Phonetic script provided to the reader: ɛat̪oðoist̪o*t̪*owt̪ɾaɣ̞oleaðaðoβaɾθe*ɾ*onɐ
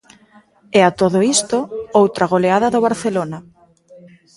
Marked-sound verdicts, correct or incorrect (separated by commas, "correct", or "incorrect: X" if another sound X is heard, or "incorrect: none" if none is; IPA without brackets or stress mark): incorrect: none, incorrect: l